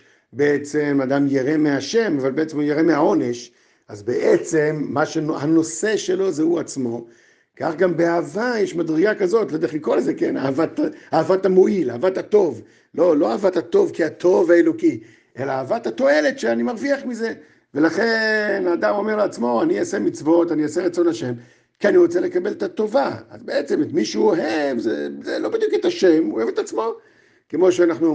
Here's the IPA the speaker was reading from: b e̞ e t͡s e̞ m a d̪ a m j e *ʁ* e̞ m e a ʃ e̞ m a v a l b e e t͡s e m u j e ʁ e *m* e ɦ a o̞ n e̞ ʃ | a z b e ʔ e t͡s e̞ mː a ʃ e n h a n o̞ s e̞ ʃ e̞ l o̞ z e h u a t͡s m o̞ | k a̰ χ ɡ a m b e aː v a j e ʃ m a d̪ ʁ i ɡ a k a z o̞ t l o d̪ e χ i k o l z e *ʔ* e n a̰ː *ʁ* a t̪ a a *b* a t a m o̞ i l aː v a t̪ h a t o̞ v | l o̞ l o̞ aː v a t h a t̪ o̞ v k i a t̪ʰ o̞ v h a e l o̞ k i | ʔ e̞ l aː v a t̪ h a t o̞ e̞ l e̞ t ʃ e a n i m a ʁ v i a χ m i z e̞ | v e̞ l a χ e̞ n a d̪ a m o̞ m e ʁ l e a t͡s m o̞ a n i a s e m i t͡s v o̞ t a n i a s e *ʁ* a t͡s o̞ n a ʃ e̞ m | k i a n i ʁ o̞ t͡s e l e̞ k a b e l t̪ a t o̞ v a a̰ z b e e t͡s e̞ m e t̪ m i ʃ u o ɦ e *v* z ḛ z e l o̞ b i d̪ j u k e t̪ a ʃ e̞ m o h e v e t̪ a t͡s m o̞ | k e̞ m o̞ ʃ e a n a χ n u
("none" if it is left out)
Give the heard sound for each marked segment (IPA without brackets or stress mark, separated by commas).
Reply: ʁ, m, k, v, v, ʁ, v